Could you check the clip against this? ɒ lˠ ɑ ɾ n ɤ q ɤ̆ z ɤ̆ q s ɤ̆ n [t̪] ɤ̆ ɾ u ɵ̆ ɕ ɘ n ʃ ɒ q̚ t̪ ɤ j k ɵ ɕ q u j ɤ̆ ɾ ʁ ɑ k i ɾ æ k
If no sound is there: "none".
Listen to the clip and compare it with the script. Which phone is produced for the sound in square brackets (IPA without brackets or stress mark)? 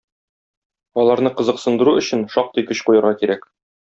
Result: d̪